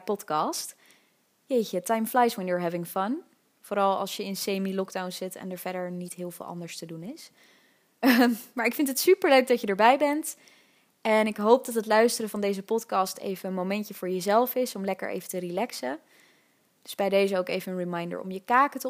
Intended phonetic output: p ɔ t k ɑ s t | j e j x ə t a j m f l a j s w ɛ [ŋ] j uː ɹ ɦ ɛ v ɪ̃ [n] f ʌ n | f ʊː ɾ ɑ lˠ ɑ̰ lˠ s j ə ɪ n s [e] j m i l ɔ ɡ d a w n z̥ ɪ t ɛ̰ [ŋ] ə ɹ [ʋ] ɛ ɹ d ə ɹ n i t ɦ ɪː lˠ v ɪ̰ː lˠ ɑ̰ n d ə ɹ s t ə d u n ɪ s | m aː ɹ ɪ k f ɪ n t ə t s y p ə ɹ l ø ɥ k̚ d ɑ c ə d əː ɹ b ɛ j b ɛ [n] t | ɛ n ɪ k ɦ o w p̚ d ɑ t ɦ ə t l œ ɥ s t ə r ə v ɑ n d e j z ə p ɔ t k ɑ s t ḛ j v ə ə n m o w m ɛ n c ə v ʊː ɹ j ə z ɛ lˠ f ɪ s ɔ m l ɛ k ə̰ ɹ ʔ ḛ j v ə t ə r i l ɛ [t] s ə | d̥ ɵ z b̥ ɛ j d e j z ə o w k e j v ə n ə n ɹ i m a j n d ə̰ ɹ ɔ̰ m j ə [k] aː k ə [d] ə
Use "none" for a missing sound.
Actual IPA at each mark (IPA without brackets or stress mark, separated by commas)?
n, ŋ, e, n, v, n, k, k, t